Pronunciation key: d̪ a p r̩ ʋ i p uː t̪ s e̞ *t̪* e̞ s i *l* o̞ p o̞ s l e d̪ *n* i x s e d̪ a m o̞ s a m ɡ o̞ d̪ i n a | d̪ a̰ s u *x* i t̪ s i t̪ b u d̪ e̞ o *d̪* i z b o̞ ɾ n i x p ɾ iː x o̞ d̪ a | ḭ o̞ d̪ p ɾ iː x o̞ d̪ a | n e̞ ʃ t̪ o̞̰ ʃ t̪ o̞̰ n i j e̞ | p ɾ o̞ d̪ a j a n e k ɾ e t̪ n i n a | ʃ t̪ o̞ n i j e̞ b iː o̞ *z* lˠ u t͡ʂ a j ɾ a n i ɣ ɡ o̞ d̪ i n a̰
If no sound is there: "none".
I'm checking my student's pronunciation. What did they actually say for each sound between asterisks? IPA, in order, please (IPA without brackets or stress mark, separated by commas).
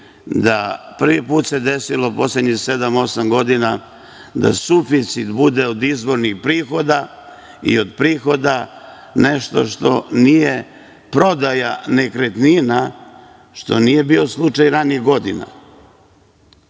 d̪, l, ɲ, f, d̪, s